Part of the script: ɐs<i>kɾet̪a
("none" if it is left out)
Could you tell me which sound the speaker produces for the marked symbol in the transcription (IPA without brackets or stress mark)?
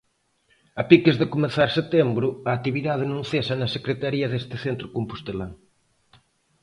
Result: e